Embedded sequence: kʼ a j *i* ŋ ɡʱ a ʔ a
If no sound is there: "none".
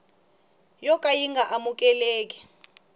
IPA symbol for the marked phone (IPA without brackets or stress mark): i